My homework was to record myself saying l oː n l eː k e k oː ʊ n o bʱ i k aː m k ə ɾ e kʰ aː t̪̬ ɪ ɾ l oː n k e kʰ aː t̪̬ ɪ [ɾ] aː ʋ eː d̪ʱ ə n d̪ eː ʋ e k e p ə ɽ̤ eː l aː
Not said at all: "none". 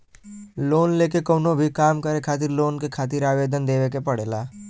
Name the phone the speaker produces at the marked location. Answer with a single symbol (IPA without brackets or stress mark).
ɾ